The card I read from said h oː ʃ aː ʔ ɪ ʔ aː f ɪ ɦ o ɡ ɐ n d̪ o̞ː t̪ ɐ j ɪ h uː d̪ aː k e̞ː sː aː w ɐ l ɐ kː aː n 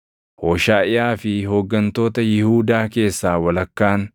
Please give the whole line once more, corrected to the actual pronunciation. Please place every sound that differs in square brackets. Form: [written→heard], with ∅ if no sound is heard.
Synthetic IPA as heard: h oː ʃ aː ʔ ɪ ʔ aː f ɪ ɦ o [ɡ→ɡː] ɐ n [d̪→t̪] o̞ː t̪ ɐ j ɪ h uː d̪ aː k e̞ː sː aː w ɐ l ɐ kː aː n